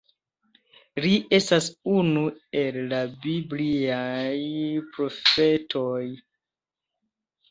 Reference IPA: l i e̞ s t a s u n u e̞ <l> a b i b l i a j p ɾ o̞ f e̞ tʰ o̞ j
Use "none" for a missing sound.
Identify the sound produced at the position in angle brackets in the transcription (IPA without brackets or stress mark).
lː